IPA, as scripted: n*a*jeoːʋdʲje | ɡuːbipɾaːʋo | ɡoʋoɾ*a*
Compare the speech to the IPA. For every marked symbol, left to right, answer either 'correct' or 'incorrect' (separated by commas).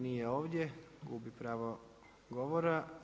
incorrect, correct